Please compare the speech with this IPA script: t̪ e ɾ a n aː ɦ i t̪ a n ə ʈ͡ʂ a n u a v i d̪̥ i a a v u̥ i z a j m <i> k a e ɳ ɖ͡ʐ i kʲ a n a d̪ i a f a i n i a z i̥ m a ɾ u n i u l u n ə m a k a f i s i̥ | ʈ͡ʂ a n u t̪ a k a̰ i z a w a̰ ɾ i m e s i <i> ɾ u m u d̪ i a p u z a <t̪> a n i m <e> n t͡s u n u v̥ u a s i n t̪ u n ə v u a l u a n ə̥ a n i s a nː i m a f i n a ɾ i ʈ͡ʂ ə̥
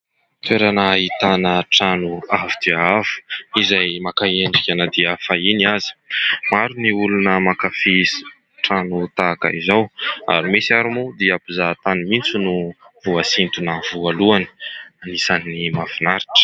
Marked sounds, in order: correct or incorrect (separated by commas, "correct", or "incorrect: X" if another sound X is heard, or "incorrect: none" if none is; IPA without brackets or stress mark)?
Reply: incorrect: a, incorrect: a, correct, incorrect: i